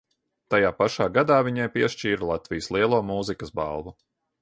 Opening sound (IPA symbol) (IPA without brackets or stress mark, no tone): t̪